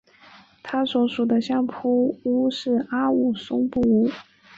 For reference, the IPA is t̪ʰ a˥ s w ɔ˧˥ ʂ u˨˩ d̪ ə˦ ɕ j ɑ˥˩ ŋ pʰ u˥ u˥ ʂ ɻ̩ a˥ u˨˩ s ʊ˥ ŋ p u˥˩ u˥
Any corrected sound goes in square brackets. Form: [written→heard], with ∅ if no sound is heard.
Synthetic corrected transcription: t̪ʰ a˥ s w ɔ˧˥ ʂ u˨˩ d̪ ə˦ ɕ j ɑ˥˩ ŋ pʰ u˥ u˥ ʂ ɻ̩ a˥ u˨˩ s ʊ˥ ŋ p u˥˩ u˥